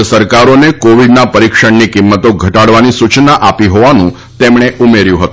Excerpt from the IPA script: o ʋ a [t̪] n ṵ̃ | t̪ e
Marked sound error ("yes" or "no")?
yes